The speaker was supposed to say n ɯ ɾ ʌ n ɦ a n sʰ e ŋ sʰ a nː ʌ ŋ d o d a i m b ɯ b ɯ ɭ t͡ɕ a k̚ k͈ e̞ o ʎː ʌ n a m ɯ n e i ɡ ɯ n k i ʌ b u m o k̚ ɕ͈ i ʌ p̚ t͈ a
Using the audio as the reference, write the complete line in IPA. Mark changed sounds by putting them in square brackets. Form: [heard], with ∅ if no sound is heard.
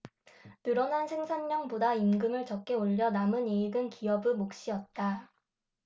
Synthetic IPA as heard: n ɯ ɾ ʌ n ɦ a n sʰ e ŋ sʰ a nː ʌ ŋ [b] o d a i m [ɡ] ɯ [m] ɯ ɭ t͡ɕ [ʌ] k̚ k͈ e̞ o ʎː ʌ n a m ɯ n e i ɡ ɯ n k i ʌ b [ɯ] m o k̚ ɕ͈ i ʌ [t̚] t͈ a